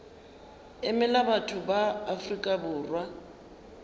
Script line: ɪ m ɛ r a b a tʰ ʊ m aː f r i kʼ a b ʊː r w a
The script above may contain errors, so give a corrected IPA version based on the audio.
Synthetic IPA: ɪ m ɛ l a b a tʰ ʊ b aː f r i kʼ a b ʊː r w a